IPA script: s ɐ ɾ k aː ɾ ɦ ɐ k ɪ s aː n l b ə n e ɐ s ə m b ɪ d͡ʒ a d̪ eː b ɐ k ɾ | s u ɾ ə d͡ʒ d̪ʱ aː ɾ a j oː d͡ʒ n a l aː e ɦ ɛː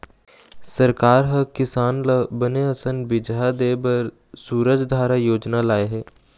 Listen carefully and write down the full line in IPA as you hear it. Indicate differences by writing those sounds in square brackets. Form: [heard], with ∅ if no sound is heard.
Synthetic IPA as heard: s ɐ ɾ k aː ɾ ɦ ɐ k ɪ s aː n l b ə n e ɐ s ə [n] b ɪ d͡ʒ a d̪ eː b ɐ [∅] ɾ | s [uː] ɾ ə d͡ʒ d̪ʱ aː ɾ a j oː d͡ʒ n a l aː e ɦ ɛː